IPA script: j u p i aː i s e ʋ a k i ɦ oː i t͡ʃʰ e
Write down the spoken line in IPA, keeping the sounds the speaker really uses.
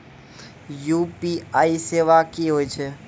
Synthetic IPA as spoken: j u p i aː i s e ʋ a k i ɦ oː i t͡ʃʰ e